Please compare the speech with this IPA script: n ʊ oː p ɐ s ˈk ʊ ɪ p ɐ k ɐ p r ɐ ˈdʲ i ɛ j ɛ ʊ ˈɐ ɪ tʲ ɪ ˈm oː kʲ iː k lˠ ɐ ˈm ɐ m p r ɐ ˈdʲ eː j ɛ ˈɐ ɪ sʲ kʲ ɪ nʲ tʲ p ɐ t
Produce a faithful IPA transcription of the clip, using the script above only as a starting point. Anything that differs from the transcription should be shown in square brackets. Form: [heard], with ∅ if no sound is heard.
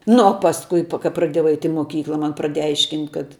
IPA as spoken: n ʊ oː p ɐ s ˈk ʊ ɪ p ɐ k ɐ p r ɐ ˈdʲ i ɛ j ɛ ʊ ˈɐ ɪ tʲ ɪ ˈm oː kʲ iː k lˠ ɐ ˈm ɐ [n] p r ɐ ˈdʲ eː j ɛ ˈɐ ɪ [ʃʲ] kʲ ɪ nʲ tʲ [k] ɐ t